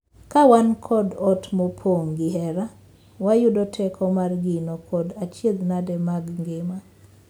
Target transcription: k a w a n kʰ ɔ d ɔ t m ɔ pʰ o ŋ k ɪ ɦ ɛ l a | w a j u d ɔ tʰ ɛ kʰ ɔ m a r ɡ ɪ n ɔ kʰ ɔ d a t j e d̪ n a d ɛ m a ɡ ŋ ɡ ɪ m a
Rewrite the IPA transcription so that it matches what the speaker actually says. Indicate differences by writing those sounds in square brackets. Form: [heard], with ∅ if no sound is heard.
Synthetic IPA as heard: k a w a n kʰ ɔ d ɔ t m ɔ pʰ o ŋ [ɡ] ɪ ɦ ɛ [ɾ] a | w a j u d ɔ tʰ ɛ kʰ ɔ m a r ɡ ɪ n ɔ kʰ ɔ d a [t͡ʃ] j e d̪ n a d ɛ m a ɡ ŋ ɡ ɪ m a